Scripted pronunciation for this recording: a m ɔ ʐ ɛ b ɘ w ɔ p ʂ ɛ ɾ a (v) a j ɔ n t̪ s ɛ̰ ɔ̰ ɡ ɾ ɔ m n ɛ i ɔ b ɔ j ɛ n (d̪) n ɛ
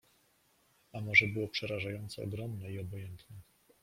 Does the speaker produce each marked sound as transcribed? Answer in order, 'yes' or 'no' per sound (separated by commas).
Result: no, no